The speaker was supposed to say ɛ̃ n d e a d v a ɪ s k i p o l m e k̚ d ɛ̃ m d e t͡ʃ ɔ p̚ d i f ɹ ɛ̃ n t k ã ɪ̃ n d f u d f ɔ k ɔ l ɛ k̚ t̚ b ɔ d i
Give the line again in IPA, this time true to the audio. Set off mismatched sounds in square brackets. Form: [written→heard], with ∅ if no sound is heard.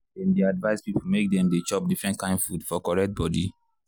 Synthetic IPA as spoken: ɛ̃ n d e a d v a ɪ s [k→p] i p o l m e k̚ d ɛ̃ m d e t͡ʃ ɔ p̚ d i f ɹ ɛ̃ n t k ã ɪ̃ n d f u d f ɔ k ɔ [l→ɹ] ɛ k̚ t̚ b ɔ d i

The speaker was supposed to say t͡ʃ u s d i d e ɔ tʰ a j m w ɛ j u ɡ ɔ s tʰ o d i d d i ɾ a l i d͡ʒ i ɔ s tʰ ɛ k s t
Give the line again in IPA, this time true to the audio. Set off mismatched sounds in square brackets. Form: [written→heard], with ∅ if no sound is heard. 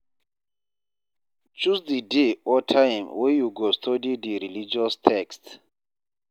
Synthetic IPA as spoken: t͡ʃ u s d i d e ɔ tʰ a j m w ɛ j u ɡ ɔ s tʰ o d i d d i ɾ [a→i] l i d͡ʒ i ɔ s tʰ ɛ k s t

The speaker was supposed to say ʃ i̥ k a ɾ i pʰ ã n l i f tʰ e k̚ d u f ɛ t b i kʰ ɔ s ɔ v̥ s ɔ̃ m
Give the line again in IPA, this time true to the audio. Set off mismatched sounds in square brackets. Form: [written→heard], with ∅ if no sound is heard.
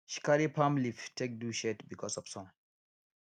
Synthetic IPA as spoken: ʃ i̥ k a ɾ i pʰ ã [n→m] l i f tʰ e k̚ d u [f→ʃ] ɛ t b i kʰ ɔ s ɔ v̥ s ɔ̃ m

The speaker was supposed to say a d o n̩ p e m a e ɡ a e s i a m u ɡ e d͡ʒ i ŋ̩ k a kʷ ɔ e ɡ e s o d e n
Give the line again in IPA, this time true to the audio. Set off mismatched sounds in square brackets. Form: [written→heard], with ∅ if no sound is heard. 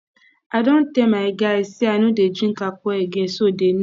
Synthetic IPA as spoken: a d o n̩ [p→t] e m a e ɡ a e s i a [m→n] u [ɡ→d] e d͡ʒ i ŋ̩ k a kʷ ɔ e ɡ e s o d e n

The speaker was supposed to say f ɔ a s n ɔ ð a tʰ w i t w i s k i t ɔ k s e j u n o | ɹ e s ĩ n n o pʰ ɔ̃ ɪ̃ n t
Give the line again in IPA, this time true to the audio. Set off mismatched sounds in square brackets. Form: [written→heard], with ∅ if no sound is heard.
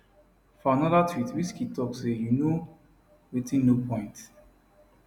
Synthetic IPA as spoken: f ɔ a [s→∅] n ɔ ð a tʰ w i t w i s k i t ɔ k s e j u n o | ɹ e [s→t] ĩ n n o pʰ ɔ̃ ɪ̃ n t

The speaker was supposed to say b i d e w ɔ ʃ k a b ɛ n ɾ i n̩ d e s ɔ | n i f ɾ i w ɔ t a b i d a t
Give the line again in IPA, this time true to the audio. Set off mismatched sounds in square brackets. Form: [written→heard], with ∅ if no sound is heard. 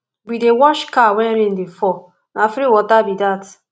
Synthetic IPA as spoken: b i d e w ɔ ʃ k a [b→w] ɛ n ɾ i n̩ d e [s→f] ɔ | n [i→a] f ɾ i w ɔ t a b i d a t

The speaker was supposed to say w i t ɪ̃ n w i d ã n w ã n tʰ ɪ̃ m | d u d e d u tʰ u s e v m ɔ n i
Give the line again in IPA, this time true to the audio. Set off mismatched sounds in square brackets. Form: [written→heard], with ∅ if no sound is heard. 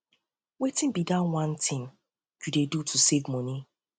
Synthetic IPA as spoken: w [i→e] t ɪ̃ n [w→b] i d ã n w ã n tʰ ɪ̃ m | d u d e d u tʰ u s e v m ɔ n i

